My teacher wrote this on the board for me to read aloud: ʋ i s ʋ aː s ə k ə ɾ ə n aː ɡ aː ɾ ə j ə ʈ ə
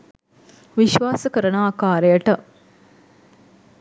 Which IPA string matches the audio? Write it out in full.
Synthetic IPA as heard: ʋ i ʃ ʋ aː s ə k ə ɾ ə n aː k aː ɾ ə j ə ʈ ə